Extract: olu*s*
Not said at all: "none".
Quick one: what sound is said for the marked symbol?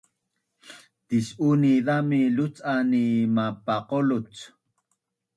t͡s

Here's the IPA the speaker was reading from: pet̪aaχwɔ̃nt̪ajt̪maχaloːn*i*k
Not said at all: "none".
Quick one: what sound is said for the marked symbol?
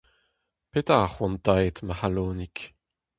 i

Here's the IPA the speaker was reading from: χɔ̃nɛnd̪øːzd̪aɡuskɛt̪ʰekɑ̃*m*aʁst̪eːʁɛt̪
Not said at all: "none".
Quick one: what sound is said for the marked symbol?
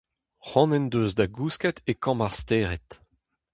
m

